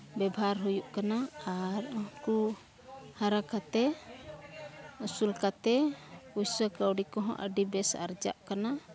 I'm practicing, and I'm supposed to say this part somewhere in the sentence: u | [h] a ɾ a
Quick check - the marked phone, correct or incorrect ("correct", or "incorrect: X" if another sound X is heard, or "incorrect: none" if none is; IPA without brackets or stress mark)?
correct